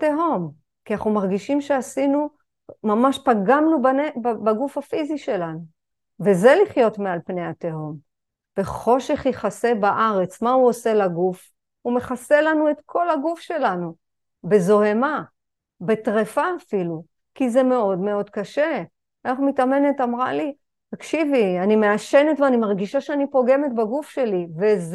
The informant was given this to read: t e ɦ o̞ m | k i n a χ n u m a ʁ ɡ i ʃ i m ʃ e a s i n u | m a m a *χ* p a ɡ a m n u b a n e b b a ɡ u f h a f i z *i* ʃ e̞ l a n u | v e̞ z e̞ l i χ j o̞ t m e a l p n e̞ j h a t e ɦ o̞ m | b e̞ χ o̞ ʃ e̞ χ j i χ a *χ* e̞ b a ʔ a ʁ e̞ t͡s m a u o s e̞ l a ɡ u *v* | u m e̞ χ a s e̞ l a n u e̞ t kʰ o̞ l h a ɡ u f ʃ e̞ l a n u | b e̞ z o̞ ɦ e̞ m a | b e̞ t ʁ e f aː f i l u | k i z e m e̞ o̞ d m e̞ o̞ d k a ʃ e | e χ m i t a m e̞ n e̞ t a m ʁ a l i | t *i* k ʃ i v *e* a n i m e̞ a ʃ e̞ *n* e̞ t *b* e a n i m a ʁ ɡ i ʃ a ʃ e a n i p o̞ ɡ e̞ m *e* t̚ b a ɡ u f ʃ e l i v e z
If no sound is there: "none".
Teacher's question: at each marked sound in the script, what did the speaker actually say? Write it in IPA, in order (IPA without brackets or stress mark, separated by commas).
ʃ, i, s, f, a, i, n, v, e